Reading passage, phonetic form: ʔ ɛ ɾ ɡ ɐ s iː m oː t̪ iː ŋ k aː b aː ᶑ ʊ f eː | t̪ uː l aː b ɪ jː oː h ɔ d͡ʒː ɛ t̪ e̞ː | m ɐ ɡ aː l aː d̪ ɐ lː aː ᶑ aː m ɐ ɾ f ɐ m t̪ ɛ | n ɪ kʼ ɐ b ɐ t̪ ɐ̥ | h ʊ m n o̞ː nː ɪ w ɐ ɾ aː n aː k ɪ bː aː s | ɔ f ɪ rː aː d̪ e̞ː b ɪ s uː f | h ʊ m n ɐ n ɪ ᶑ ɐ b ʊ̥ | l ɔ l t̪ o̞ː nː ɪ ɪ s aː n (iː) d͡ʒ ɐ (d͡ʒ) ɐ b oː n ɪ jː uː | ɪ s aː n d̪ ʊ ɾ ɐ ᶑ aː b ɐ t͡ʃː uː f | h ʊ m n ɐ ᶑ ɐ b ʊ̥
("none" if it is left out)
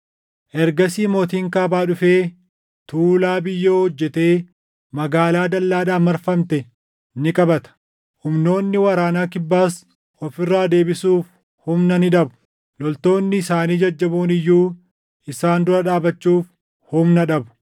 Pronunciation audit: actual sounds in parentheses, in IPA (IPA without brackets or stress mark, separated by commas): iː, d͡ʒː